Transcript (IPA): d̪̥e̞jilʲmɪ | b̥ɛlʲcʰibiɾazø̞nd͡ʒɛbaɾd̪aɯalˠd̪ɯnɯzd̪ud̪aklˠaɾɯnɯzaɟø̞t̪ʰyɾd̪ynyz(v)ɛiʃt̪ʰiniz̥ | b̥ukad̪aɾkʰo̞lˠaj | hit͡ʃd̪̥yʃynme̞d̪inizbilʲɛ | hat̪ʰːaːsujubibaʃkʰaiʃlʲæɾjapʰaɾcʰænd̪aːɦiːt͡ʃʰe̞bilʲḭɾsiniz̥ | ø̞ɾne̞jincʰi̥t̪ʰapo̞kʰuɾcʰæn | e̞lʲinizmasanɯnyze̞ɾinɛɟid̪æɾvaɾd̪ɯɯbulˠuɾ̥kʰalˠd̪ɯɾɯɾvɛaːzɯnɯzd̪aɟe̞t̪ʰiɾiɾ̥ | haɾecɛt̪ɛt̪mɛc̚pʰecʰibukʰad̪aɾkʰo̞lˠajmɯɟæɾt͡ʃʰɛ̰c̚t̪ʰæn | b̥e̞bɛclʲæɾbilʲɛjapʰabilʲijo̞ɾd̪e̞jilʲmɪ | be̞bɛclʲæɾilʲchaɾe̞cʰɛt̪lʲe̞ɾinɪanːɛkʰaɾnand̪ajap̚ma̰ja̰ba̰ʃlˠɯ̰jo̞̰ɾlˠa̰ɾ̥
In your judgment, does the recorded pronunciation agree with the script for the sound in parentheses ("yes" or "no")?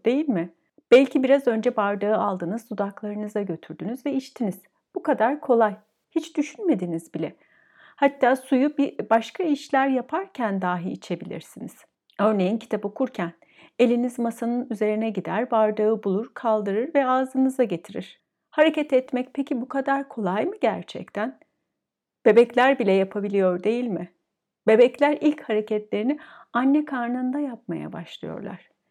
yes